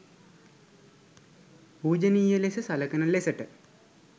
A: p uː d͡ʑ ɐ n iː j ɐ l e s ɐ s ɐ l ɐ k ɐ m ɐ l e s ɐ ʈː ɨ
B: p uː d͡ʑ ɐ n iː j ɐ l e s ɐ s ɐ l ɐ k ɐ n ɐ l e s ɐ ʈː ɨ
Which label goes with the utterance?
B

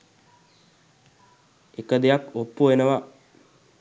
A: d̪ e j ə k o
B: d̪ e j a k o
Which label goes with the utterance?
B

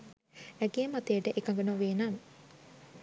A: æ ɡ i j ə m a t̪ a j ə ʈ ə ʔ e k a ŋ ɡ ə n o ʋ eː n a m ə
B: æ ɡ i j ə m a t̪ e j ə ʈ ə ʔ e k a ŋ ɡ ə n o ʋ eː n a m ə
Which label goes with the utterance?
B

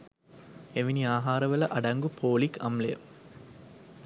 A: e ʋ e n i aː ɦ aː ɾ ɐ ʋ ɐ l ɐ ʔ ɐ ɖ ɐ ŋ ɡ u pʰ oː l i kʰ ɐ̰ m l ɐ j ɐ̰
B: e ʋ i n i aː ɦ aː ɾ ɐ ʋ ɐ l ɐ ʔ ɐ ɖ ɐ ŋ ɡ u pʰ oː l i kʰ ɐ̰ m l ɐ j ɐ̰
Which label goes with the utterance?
B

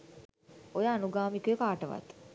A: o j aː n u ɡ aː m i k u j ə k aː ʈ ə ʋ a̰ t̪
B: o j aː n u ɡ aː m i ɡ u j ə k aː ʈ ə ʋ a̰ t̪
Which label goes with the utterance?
A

